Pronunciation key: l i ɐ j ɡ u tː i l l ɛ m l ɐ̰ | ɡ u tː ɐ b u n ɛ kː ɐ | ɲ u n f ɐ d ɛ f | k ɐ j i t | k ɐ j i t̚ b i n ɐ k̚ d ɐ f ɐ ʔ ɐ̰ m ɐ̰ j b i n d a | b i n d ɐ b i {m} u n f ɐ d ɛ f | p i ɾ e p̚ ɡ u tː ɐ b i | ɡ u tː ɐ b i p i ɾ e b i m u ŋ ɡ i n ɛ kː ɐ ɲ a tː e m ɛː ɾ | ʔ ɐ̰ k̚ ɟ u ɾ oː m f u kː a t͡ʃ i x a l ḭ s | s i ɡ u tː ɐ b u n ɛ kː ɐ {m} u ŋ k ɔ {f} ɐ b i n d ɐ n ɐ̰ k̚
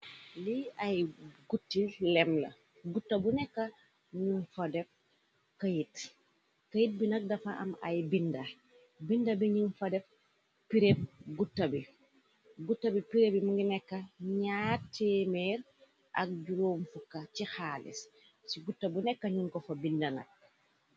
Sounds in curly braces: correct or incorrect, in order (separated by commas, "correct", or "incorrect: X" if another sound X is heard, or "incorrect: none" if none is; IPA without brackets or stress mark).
incorrect: ɲ, incorrect: ɲ, correct